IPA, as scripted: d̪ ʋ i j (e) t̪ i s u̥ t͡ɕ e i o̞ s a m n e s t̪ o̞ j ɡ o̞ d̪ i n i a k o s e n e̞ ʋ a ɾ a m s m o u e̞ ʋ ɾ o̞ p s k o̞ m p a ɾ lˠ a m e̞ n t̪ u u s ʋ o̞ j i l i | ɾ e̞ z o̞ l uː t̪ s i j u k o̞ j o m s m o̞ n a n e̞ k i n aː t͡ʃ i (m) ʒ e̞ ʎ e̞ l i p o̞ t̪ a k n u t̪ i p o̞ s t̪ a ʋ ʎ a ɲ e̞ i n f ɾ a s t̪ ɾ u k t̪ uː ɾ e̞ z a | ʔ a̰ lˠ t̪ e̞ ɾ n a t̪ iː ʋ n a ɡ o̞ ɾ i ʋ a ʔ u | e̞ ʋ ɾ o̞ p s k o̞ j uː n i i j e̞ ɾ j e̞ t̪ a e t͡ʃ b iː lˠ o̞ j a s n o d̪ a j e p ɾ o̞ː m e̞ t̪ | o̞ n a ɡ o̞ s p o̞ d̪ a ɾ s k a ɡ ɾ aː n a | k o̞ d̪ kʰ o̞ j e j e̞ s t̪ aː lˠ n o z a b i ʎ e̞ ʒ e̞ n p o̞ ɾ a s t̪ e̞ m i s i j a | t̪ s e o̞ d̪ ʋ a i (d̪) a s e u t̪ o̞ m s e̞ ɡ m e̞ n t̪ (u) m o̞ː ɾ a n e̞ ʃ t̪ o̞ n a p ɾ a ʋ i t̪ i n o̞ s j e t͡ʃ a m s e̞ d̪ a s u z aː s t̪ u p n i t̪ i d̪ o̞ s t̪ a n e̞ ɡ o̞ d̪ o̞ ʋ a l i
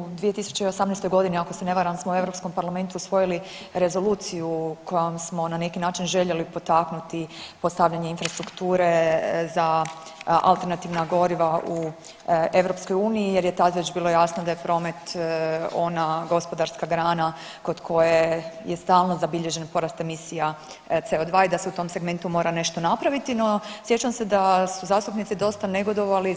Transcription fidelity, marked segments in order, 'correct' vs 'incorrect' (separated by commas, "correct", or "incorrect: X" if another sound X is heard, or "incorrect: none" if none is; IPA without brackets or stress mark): correct, incorrect: n, correct, correct